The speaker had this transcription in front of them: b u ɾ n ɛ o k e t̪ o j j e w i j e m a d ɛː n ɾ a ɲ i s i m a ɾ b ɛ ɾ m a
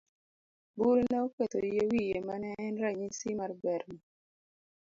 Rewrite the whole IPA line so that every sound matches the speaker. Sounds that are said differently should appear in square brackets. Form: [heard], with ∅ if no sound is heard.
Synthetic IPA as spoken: b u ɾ n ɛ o k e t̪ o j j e w i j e m a [n] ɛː n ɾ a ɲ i s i m a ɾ b ɛ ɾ m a